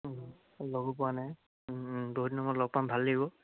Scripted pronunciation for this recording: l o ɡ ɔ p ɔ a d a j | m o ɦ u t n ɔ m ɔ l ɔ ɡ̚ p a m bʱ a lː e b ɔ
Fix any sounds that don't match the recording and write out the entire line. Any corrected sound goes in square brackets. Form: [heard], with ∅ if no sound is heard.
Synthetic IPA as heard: l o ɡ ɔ p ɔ a [n] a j | [b] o ɦ u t n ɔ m ɔ l ɔ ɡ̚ p a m bʱ a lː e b ɔ